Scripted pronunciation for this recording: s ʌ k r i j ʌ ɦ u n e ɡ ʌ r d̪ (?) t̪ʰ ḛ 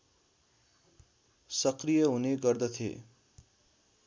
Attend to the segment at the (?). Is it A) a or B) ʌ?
B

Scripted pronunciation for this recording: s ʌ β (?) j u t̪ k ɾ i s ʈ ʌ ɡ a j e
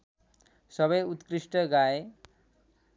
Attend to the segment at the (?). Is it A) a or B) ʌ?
B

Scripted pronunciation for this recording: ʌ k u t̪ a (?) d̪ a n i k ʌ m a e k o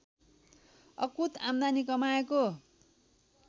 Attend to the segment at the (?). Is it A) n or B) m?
B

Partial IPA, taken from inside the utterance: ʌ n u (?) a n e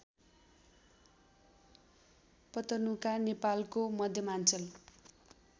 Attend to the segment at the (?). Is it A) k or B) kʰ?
A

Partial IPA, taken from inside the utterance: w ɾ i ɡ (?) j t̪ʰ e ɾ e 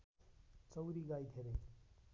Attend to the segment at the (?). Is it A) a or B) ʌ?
A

